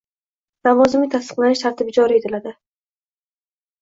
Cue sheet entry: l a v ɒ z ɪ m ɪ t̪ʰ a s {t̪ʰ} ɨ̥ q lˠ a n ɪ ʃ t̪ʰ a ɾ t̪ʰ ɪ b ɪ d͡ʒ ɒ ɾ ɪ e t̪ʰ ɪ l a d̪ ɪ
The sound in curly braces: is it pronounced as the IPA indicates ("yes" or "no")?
no